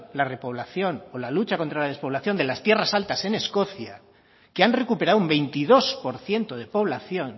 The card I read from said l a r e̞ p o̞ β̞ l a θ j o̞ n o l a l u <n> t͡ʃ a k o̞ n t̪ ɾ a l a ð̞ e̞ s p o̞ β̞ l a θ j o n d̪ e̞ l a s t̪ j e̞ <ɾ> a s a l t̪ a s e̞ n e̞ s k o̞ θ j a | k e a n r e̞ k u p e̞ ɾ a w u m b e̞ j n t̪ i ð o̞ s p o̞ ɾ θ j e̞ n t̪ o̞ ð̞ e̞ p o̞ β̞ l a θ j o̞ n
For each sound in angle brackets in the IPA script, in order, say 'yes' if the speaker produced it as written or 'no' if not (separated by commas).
no, no